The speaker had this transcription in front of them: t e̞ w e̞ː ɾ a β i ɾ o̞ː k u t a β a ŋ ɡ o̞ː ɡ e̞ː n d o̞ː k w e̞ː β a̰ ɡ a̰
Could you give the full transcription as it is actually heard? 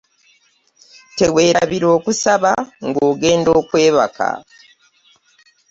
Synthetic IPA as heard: t e̞ w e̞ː ɾ a β i ɾ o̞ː k u s a β a ŋ ɡ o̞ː ɡ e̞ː n d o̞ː k w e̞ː β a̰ k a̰